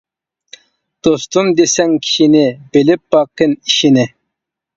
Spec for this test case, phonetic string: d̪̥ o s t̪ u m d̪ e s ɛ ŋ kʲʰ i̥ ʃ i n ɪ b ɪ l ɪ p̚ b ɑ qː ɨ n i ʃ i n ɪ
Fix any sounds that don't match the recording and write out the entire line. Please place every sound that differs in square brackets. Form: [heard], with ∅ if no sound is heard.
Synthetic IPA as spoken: d̪̥ o s t̪ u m d̪ e s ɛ ŋ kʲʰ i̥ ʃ i n ɪ b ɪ l ɪ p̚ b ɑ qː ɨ n i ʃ i n ɪ